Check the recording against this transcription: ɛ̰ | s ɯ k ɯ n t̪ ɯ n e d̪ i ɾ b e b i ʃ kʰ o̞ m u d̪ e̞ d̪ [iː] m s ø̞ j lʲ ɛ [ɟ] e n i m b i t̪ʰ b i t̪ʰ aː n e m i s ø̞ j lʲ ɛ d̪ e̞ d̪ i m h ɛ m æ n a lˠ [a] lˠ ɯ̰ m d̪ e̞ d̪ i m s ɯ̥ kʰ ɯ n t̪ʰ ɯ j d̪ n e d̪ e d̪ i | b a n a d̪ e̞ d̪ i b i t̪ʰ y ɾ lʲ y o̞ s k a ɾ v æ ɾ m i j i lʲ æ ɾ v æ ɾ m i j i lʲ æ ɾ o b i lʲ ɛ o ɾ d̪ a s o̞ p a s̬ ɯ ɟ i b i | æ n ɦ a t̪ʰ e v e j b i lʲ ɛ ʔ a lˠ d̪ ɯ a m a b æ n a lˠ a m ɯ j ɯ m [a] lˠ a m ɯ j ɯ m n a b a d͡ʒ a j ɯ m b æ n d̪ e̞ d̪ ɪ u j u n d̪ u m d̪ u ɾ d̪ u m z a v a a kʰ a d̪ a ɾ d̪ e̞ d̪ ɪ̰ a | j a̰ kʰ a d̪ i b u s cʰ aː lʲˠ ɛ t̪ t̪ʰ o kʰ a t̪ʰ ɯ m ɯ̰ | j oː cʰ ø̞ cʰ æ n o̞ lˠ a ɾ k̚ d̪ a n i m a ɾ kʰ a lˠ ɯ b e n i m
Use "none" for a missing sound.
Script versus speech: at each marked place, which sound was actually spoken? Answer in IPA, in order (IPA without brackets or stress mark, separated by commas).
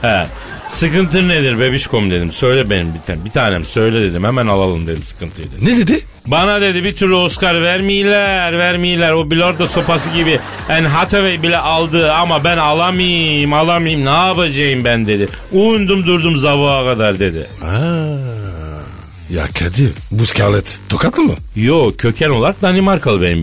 i, b, a, a